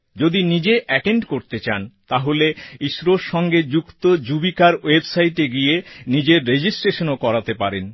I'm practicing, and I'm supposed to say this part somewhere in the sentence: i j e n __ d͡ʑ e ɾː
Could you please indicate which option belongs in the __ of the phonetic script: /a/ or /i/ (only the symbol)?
i